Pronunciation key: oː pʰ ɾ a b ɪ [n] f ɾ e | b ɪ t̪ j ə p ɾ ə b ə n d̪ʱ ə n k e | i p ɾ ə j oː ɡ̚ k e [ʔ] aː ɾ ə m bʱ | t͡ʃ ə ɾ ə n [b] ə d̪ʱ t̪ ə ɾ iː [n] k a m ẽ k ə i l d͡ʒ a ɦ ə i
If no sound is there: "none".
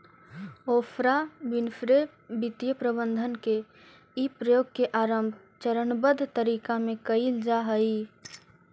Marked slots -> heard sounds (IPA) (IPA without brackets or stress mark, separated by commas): n, ʔ, b, none